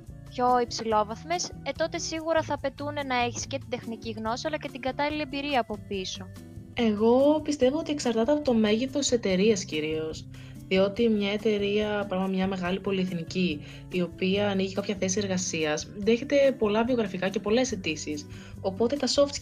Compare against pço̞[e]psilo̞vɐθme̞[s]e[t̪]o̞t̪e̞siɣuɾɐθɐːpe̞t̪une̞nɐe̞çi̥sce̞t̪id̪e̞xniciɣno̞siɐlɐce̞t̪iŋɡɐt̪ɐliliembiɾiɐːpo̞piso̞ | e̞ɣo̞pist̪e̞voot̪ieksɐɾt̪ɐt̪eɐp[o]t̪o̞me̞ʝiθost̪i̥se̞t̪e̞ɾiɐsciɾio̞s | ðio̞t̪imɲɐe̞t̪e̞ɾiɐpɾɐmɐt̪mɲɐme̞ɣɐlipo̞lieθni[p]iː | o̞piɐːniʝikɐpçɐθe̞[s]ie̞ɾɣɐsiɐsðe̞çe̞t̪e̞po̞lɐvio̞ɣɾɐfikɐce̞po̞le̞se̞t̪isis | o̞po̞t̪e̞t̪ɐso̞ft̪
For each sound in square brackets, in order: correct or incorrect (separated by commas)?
incorrect, correct, correct, correct, incorrect, correct